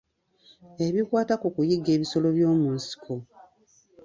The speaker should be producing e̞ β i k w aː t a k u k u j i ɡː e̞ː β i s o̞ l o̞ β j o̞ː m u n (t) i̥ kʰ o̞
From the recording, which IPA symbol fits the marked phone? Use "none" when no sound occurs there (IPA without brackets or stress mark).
s